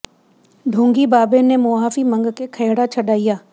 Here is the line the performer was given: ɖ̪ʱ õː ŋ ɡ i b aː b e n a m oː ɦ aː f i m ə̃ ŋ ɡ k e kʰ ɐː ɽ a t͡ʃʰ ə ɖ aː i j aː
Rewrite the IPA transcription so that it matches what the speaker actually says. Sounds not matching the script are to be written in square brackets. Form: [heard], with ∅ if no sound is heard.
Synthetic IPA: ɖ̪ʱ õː ŋ ɡ i b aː b e n [e] m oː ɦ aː f i m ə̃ ŋ ɡ k e kʰ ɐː ɽ a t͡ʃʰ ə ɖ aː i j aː